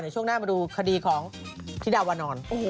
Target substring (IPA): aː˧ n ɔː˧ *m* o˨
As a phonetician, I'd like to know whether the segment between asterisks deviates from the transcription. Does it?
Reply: yes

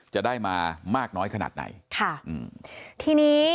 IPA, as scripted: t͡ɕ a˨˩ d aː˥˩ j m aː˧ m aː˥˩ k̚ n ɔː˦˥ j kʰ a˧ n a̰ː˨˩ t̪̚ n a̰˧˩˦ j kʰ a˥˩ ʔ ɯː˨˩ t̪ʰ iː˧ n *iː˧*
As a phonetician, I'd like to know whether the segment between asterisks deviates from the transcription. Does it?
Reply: yes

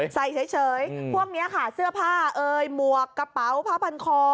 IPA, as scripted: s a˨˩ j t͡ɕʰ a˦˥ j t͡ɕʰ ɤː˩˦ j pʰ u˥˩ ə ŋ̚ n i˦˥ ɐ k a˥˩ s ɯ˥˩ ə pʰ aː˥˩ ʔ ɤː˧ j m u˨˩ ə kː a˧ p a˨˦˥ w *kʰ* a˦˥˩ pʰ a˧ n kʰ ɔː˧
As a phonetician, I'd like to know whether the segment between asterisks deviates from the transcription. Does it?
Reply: yes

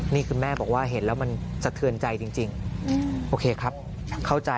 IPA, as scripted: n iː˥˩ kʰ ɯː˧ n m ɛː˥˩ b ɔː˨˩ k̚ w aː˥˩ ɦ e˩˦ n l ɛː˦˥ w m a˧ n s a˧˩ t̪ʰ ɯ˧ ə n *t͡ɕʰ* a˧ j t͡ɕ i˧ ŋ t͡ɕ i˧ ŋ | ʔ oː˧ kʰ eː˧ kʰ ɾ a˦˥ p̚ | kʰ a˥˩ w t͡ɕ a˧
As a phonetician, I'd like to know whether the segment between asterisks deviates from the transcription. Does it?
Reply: yes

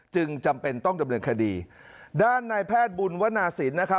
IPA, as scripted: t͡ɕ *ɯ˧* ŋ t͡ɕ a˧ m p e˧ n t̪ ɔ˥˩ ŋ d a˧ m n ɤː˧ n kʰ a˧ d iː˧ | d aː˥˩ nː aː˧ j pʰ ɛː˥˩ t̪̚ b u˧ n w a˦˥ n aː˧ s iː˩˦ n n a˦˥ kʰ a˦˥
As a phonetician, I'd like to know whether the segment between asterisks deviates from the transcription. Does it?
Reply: no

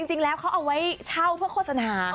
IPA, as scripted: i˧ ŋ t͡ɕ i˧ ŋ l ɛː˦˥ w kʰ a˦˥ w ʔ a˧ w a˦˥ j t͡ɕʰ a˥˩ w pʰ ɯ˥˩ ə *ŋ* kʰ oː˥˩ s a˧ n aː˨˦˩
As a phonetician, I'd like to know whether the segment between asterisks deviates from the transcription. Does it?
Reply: yes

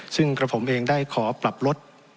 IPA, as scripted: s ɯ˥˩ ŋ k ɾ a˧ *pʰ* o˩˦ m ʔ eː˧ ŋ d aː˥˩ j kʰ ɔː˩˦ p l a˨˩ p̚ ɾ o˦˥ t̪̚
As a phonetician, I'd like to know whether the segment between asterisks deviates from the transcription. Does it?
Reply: no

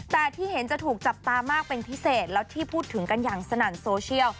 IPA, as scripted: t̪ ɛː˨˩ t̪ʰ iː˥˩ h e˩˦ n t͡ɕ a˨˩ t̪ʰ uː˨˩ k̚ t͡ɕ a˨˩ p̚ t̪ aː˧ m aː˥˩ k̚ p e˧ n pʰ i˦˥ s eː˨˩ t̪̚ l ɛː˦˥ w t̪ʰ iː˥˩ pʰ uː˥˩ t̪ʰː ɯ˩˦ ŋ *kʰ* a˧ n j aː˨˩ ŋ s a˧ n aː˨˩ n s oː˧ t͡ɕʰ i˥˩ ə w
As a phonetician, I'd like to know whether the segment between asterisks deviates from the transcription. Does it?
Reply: yes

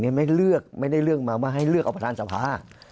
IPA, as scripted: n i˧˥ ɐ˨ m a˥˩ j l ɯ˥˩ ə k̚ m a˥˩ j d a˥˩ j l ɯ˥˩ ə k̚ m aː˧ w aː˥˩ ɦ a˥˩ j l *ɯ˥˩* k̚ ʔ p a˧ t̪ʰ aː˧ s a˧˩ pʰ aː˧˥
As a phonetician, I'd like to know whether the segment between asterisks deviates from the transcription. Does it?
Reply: no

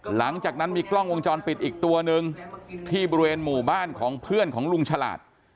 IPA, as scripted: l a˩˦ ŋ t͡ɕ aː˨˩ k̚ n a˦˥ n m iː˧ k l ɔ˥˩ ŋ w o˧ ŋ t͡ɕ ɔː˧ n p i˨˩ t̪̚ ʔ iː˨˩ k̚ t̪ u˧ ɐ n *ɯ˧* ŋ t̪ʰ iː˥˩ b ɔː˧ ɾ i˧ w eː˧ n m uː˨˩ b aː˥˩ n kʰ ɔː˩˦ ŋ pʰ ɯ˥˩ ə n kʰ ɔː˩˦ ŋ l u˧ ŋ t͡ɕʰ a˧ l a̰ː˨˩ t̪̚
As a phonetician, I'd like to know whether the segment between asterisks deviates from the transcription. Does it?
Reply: no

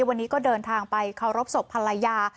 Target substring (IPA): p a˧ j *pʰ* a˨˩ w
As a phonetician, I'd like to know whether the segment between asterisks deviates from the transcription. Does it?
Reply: yes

